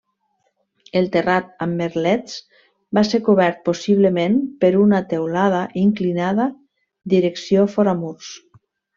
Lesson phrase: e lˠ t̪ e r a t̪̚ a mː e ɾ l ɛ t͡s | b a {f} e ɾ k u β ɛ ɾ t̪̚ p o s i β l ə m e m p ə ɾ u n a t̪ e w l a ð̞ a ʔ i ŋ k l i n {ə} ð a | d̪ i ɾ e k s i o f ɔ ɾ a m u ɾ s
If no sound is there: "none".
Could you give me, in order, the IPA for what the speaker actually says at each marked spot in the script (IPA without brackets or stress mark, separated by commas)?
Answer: s, a